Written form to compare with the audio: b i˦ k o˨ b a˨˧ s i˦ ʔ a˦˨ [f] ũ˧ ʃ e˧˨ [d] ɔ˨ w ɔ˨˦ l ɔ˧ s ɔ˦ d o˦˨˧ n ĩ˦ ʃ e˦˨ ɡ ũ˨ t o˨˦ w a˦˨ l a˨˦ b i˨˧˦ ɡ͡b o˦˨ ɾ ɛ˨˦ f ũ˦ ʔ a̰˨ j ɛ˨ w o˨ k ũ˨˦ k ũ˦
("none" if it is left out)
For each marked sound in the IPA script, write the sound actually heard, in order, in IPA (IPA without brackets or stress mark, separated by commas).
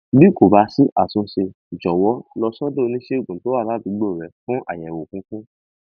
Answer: s, d͡ʒ